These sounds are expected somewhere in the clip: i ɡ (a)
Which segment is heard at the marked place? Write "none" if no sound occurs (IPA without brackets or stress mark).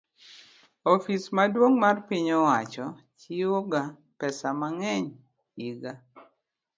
a